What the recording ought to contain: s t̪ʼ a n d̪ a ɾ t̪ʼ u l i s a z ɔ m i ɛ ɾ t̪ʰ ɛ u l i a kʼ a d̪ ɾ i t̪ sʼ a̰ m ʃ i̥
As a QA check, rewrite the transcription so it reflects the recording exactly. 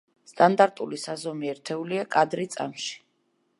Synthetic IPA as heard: s t̪ʼ a n d̪ a ɾ t̪ʼ u l i s a z ɔ m i ɛ ɾ t̪ʰ ɛ u l i a kʼ a d̪ ɾ i t̪ sʼ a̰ m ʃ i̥